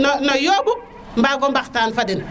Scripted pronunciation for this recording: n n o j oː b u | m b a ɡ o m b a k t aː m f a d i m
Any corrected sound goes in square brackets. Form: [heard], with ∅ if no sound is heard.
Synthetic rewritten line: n n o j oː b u | m b a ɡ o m b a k t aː [n] f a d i [n]